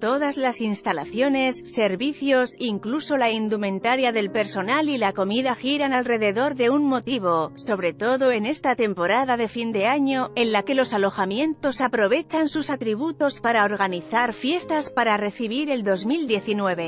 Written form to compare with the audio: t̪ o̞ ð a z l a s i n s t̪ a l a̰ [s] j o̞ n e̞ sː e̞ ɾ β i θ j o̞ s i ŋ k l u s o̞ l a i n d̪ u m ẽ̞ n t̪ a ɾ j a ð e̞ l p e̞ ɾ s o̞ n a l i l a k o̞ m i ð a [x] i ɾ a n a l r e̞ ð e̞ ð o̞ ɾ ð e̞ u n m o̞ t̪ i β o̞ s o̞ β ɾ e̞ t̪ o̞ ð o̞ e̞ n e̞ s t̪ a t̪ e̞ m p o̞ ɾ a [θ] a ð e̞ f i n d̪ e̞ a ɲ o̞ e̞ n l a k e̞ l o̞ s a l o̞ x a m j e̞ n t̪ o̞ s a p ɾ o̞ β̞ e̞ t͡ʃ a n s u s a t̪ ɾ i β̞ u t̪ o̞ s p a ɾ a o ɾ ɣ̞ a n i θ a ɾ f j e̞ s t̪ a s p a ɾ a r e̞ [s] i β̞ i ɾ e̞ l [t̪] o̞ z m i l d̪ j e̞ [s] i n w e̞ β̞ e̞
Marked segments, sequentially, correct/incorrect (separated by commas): incorrect, correct, incorrect, incorrect, incorrect, incorrect